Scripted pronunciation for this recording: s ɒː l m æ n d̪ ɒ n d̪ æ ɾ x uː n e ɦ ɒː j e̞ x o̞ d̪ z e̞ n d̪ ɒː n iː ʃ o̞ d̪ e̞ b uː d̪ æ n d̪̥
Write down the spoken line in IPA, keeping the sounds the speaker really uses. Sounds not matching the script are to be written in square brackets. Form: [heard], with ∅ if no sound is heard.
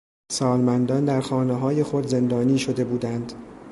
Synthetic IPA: s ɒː l m æ n d̪ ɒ n d̪ æ ɾ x [ɒː] n e ɦ ɒː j e̞ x o̞ d̪ z e̞ n d̪ ɒː n iː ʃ o̞ d̪ e̞ b uː d̪ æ n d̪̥